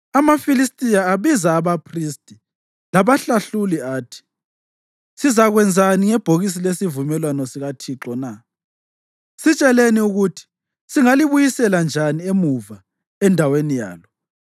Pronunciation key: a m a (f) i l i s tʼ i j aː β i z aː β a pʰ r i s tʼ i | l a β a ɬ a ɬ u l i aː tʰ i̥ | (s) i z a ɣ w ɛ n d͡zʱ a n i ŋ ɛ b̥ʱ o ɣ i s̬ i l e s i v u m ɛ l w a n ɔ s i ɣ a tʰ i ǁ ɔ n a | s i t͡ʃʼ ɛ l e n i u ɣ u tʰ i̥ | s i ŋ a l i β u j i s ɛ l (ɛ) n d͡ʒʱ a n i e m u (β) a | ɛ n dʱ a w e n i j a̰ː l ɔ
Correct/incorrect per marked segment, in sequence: correct, correct, incorrect: a, incorrect: v

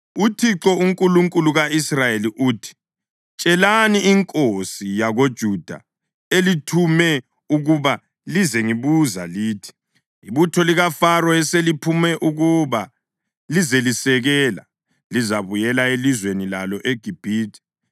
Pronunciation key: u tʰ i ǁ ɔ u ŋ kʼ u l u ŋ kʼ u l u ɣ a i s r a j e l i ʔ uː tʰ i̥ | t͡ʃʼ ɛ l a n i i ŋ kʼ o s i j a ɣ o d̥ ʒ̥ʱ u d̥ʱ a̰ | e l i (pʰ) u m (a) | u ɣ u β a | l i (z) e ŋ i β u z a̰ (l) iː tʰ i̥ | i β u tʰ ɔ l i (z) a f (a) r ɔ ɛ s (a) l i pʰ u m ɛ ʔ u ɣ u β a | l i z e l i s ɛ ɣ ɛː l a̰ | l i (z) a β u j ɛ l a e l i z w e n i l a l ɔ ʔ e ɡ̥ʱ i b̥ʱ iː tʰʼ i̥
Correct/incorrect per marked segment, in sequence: incorrect: tʰ, incorrect: ɛ, correct, correct, incorrect: ɣ, correct, incorrect: e, correct

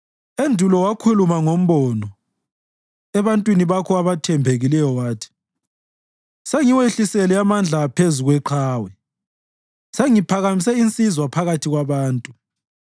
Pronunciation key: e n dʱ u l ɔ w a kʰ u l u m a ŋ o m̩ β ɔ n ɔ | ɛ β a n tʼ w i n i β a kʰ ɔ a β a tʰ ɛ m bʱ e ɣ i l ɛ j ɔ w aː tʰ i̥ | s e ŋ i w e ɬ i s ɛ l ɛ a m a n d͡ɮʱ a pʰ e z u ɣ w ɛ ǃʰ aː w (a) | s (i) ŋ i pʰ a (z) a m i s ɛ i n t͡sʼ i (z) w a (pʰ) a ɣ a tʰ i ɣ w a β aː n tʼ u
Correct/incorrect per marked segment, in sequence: incorrect: ɛ, incorrect: e, incorrect: ɣ, correct, correct

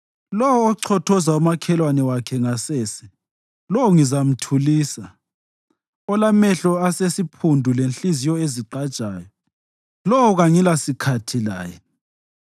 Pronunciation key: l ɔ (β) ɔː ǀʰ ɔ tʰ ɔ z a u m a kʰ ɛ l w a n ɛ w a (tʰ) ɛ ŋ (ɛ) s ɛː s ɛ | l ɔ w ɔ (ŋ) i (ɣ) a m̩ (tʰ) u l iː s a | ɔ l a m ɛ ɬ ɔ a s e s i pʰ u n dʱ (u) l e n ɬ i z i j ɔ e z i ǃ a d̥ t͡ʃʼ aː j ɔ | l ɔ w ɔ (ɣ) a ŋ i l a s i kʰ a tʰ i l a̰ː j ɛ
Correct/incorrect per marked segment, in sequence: incorrect: w, incorrect: kʰ, incorrect: a, correct, incorrect: z, correct, correct, correct

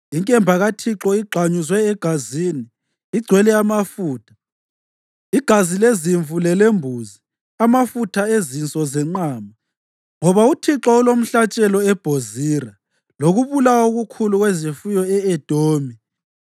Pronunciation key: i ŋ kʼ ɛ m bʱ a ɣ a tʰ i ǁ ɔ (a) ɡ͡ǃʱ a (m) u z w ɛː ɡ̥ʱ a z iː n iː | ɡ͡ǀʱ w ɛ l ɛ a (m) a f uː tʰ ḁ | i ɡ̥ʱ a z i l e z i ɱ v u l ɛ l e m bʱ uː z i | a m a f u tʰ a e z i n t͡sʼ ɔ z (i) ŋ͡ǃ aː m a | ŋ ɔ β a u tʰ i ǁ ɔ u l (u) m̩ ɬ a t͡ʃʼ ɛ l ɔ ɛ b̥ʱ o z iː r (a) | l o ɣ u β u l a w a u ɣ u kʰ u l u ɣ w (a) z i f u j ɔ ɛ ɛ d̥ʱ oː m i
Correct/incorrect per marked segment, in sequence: incorrect: i, incorrect: ɲ, correct, incorrect: ɛ, incorrect: o, correct, incorrect: e

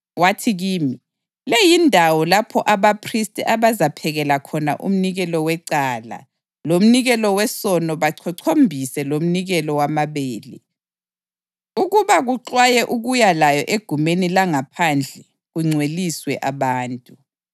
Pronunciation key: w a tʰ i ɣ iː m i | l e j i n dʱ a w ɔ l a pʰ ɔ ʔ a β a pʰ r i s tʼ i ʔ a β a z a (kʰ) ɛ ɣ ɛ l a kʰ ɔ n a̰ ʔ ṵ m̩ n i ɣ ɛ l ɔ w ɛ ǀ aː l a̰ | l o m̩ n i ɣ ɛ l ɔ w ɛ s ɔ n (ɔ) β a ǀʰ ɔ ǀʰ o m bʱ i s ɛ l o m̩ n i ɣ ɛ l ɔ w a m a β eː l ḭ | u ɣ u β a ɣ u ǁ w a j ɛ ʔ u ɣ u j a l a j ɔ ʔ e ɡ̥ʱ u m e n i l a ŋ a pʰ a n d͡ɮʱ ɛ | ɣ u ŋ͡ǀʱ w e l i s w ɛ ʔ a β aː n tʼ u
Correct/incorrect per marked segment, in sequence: incorrect: pʰ, correct

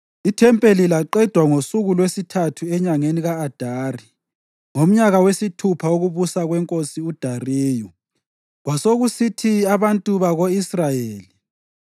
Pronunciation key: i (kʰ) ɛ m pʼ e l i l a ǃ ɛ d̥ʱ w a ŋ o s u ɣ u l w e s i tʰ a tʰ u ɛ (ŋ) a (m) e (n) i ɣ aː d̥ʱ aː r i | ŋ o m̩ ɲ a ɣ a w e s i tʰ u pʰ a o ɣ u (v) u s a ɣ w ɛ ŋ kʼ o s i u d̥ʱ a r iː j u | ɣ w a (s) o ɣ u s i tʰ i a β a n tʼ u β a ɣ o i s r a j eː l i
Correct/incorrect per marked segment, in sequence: incorrect: tʰ, incorrect: ɲ, incorrect: ŋ, correct, incorrect: β, correct

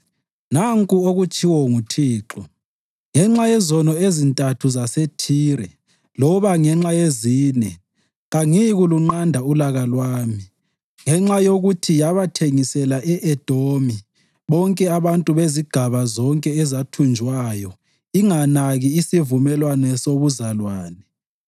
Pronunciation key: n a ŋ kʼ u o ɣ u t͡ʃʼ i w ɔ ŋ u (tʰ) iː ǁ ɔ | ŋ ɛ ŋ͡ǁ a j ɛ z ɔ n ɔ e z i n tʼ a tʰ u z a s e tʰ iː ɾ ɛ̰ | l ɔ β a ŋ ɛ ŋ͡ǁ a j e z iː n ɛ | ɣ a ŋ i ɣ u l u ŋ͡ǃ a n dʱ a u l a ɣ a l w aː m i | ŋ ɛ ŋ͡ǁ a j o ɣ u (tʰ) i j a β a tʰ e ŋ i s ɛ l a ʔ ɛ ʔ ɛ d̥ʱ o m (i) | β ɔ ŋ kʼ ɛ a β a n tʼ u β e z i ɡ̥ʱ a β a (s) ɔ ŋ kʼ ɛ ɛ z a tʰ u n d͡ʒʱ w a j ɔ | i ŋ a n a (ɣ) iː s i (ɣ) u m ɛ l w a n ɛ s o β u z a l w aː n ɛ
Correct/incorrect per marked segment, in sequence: correct, correct, correct, incorrect: z, correct, incorrect: v

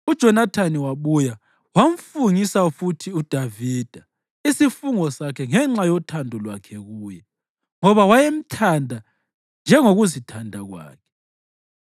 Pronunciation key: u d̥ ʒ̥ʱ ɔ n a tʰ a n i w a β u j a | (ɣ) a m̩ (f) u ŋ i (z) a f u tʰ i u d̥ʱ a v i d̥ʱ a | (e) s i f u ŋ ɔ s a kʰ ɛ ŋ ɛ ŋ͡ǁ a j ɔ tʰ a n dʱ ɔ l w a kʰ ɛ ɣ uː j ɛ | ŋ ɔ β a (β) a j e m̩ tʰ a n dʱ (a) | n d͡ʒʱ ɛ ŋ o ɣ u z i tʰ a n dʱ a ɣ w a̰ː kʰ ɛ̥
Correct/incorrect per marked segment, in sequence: incorrect: w, correct, incorrect: s, incorrect: i, incorrect: w, correct

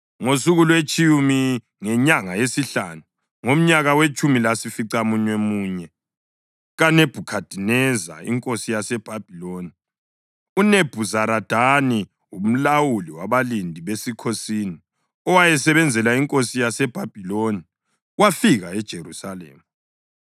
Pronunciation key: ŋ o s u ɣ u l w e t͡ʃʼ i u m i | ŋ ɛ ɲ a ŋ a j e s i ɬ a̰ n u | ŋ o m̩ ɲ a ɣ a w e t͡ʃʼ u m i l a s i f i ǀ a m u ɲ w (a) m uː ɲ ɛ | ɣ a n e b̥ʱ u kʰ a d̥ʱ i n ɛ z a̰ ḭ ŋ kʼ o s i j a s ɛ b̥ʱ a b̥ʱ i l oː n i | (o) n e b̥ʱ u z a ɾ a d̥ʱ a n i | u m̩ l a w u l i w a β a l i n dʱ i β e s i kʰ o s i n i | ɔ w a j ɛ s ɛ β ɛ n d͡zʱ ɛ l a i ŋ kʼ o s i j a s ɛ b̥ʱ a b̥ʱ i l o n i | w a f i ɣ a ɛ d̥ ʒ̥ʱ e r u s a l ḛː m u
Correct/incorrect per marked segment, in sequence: incorrect: e, incorrect: u

